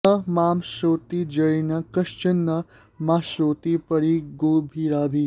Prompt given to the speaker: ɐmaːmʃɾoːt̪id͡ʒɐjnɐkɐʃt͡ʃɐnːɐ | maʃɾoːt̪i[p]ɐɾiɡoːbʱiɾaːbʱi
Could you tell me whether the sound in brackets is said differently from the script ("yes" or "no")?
no